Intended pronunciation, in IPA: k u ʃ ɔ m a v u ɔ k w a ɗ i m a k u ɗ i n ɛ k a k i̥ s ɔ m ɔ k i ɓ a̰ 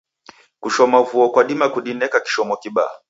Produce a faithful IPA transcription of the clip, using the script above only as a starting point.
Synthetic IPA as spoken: k u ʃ ɔ m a v u ɔ k w a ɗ i m a k u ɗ i n ɛ k a k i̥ ʃ ɔ m ɔ k i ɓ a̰